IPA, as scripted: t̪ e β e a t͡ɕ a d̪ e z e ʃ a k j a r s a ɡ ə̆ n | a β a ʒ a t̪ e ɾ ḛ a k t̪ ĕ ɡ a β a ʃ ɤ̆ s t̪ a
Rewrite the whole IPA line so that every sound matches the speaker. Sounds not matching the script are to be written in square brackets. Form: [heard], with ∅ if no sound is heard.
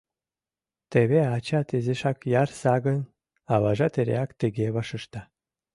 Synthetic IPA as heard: t̪ e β e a t͡ɕ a [t̪] e z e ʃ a k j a r s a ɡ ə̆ n | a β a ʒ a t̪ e ɾ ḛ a k t̪ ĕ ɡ [e] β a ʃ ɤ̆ [ʃ] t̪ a